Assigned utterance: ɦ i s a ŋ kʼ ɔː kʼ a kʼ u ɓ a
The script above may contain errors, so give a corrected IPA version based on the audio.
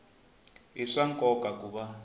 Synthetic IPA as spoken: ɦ i ʂ a ŋ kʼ ɔ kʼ a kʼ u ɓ a

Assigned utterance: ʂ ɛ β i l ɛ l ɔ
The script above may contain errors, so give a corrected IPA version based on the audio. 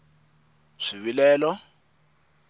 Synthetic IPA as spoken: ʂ i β i l ɛː l ɔ

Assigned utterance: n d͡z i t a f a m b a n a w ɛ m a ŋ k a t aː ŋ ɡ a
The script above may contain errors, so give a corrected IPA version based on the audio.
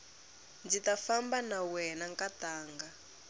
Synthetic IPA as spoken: n d͡z i t a f a m b a n a w ɛ n a ŋ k a t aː ŋ ɡ a

